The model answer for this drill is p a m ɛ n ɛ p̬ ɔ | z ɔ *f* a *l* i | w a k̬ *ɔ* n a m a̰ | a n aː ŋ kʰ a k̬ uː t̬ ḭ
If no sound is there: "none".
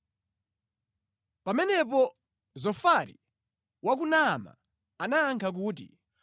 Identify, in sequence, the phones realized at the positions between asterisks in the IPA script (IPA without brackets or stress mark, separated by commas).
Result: f, ɾ, u